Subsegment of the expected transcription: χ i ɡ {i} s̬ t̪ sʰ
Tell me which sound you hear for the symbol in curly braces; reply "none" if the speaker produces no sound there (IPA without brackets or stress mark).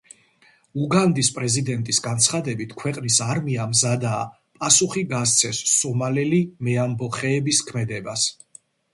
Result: a